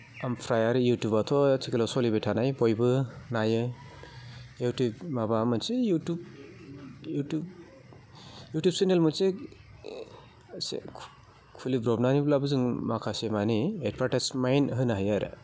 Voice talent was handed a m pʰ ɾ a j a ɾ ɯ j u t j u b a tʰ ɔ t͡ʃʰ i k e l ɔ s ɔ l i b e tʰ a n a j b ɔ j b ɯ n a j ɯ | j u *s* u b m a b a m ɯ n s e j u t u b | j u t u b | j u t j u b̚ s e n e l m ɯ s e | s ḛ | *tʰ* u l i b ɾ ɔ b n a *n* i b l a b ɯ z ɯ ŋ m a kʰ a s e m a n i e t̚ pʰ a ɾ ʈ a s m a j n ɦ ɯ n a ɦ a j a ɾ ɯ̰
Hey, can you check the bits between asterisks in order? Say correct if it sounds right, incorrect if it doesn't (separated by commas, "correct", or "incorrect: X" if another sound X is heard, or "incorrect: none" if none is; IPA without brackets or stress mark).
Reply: incorrect: t, incorrect: kʰ, correct